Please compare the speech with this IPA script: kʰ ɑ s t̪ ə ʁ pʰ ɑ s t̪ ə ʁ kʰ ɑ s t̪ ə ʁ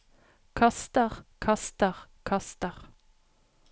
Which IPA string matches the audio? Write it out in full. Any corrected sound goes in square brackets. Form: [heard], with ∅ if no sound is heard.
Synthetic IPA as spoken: kʰ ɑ s t̪ ə ʁ [kʰ] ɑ s t̪ ə ʁ kʰ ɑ s t̪ ə ʁ